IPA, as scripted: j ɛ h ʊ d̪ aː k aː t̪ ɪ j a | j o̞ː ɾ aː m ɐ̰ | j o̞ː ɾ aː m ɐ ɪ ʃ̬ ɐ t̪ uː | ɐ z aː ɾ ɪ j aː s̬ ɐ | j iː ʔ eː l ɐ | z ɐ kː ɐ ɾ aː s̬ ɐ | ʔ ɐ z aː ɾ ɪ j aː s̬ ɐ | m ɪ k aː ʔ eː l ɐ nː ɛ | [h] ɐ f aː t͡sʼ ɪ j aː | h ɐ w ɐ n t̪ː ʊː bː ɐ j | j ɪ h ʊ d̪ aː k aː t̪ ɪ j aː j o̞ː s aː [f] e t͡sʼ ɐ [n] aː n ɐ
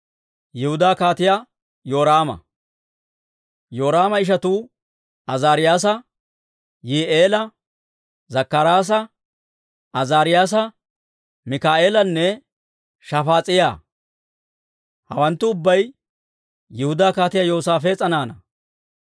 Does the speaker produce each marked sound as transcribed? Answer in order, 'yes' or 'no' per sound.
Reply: no, yes, yes

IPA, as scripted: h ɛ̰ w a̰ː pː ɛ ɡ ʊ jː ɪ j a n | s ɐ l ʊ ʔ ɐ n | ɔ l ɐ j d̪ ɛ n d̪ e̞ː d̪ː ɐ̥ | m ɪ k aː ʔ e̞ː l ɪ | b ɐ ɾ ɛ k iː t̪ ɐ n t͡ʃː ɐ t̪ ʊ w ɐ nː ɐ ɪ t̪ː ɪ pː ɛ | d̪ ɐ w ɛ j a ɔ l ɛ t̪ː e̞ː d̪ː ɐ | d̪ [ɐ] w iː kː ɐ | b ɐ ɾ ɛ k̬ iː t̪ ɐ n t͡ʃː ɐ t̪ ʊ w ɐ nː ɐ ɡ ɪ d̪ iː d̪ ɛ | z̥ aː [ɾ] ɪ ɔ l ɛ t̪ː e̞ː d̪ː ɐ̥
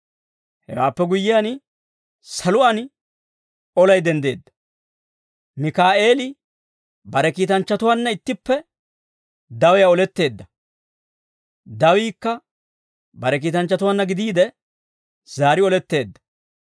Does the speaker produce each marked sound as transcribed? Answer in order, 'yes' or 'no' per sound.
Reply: yes, yes

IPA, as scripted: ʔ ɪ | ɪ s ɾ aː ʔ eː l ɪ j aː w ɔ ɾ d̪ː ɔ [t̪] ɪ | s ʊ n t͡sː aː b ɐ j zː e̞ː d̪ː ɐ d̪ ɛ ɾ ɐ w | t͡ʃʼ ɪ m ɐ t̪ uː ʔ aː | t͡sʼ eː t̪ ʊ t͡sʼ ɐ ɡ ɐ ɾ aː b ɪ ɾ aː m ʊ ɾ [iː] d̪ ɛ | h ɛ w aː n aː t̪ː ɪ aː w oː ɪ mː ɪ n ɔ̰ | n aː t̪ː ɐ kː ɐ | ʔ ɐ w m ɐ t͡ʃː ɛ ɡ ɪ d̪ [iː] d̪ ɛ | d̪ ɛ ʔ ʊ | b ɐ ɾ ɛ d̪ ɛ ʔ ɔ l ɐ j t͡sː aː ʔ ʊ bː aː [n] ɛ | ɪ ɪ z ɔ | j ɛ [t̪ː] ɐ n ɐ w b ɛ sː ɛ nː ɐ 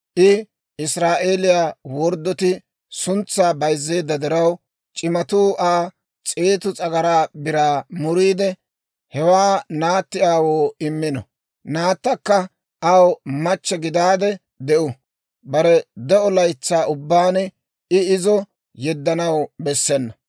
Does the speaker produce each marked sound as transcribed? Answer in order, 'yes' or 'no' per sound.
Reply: yes, yes, no, yes, no

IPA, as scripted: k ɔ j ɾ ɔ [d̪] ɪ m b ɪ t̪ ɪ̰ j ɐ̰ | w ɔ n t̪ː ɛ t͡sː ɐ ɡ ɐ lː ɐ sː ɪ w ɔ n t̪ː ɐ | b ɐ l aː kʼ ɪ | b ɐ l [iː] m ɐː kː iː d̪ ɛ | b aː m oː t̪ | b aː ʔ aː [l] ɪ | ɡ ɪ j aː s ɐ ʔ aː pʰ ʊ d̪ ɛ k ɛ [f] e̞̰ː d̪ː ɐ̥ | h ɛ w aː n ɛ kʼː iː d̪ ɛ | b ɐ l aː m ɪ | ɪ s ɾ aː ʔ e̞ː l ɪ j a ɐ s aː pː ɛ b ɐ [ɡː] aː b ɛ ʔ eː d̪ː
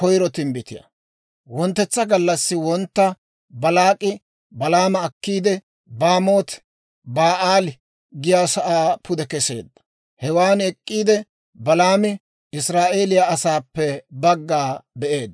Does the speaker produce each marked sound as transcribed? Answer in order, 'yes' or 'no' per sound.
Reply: no, no, yes, no, yes

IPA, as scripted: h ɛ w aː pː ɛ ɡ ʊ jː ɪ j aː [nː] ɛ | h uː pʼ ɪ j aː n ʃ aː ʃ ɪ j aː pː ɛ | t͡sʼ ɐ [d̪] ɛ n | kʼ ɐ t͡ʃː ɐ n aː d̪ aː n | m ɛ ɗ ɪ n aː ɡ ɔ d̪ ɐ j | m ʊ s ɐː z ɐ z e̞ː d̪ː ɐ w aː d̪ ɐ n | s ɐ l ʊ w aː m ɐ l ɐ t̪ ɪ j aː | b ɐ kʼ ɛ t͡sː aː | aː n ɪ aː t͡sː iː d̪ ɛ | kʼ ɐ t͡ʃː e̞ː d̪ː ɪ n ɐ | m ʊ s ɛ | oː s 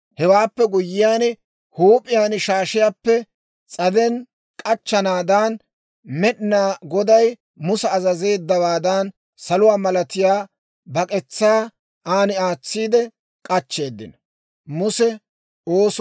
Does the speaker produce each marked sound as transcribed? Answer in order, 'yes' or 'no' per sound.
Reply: no, yes

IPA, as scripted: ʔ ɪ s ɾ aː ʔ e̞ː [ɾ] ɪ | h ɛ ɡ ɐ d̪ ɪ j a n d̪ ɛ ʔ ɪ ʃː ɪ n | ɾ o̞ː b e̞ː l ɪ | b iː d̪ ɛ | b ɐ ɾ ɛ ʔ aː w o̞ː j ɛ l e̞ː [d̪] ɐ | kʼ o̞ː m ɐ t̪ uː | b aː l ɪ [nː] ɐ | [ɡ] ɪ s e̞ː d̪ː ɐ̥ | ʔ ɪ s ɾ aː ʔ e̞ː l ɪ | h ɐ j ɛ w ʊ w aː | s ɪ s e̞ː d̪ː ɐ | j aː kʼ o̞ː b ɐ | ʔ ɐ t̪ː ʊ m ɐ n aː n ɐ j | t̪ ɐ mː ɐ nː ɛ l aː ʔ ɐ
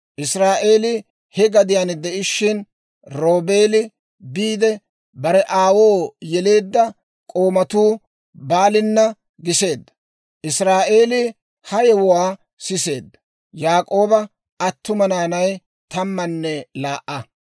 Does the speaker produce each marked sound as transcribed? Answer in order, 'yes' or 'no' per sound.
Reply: no, no, yes, yes

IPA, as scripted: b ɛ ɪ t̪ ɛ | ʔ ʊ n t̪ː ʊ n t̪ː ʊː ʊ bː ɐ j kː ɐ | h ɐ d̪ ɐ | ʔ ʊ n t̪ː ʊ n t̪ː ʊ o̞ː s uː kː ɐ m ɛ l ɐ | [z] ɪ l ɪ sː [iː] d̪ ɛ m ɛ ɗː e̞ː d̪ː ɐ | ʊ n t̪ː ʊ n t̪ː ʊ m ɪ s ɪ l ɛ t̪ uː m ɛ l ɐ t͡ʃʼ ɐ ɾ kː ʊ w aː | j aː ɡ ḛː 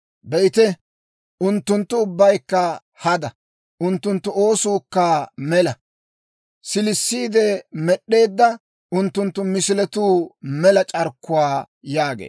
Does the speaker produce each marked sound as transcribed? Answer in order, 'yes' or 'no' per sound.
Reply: no, yes

